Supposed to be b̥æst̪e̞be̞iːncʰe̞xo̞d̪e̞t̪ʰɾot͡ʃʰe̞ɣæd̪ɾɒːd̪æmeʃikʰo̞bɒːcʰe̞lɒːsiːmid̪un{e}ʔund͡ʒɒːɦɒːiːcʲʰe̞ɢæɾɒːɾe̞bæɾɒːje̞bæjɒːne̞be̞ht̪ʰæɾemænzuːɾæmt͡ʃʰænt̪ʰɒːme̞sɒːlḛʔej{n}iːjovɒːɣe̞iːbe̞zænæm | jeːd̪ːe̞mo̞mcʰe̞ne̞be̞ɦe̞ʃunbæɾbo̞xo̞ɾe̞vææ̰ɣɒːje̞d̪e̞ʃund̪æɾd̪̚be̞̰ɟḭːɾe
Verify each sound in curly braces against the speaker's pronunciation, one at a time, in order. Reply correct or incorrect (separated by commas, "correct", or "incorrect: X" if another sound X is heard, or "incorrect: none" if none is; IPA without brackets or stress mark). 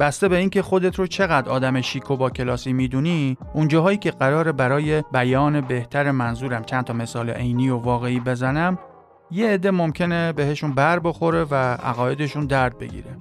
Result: incorrect: i, correct